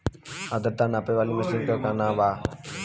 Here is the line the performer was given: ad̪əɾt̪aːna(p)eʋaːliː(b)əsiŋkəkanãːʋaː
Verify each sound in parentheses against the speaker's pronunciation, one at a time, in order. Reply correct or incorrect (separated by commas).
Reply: correct, incorrect